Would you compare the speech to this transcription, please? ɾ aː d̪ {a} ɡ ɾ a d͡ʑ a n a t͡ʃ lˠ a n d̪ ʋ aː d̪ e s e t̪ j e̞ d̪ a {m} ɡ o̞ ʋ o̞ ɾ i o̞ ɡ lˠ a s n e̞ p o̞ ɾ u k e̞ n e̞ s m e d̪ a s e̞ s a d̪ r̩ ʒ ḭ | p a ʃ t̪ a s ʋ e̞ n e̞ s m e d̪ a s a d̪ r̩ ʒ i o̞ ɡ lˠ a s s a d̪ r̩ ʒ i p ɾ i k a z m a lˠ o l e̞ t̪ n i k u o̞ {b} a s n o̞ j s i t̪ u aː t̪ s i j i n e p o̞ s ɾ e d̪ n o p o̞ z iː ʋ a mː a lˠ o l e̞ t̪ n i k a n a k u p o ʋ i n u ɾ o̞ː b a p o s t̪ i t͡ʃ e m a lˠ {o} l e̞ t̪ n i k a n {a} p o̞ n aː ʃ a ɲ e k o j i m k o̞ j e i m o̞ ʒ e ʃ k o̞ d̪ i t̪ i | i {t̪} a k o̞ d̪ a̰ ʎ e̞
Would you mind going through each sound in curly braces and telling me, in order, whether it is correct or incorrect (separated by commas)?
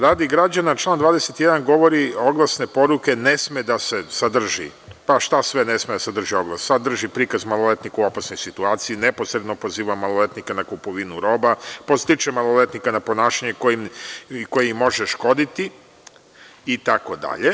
incorrect, incorrect, incorrect, correct, correct, correct